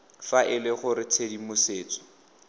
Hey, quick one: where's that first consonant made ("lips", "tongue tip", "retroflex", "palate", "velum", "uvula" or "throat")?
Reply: lips